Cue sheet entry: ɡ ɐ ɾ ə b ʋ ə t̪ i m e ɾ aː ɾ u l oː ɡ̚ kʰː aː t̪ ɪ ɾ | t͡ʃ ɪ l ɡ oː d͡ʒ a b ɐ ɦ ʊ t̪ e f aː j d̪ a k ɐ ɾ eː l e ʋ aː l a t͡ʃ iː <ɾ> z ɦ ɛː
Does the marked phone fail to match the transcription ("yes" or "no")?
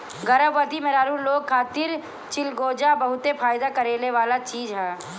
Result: yes